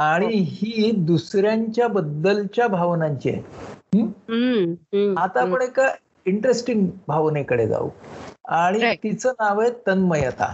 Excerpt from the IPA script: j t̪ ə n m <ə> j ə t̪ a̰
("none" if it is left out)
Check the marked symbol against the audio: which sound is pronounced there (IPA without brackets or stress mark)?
ə